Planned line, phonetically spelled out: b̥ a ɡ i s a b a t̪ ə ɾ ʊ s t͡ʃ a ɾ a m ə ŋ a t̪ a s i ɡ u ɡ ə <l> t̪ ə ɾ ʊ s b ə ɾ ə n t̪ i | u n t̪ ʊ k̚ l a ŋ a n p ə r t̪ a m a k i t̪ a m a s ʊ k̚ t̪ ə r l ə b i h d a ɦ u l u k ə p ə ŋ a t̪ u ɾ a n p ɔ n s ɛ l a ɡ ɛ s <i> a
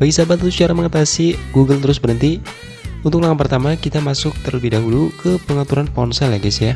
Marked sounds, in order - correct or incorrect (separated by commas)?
correct, incorrect